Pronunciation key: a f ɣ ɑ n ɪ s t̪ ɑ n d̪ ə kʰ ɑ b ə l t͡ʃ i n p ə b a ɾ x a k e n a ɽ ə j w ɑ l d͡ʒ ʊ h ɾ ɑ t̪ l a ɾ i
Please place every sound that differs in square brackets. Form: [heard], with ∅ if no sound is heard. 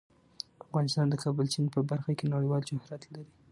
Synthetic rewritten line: a f ɣ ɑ n ɪ s t̪ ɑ n d̪ ə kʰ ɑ b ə l t͡ʃ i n p ə b a ɾ x a k e n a ɽ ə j w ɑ l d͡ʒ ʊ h ɾ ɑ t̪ l a ɾ i